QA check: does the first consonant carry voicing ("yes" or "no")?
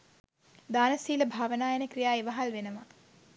yes